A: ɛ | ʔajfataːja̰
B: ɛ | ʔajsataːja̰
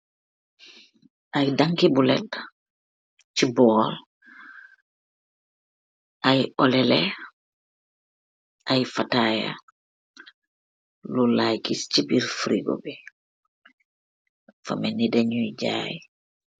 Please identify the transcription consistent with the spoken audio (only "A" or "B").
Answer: A